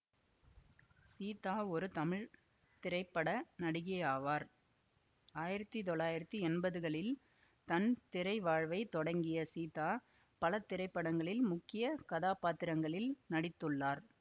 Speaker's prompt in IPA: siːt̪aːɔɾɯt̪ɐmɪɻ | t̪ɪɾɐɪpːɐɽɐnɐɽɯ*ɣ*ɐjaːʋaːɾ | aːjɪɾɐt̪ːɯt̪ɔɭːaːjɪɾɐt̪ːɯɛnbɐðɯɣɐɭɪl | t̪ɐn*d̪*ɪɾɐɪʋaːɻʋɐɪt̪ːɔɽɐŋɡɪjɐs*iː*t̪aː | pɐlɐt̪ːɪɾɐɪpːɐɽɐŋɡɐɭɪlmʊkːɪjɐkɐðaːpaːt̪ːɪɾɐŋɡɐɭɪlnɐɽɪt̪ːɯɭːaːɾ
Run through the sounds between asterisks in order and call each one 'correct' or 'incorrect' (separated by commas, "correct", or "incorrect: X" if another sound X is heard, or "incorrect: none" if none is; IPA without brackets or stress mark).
correct, incorrect: t̪, correct